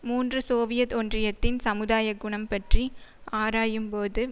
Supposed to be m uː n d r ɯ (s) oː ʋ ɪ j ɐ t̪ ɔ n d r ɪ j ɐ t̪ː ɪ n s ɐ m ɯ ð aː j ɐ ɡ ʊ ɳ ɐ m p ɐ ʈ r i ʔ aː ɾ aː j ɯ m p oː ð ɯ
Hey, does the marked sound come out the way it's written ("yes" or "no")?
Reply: yes